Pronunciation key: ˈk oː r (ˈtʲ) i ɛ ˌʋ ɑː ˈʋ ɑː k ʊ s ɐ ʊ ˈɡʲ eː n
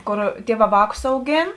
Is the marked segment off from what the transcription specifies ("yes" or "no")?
no